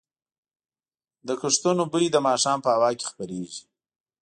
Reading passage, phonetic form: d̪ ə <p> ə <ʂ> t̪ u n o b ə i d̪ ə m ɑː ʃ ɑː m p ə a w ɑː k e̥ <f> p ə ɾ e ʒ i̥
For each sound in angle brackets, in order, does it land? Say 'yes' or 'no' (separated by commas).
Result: no, yes, no